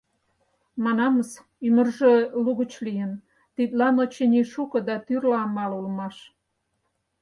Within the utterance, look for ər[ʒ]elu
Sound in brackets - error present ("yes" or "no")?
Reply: no